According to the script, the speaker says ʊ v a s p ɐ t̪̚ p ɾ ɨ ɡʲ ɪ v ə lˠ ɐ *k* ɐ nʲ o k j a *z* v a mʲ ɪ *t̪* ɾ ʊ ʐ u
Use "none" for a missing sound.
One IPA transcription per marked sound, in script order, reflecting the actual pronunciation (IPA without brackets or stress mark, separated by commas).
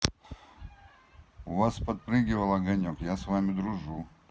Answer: ɡ, s, d̪